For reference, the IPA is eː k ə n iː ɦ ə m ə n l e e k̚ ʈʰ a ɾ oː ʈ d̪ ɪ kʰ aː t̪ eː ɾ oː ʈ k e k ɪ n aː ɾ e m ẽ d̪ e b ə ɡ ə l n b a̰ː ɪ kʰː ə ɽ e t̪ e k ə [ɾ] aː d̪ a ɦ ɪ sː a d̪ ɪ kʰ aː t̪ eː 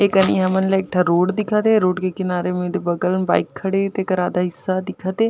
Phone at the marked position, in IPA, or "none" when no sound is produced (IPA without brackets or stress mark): ɾ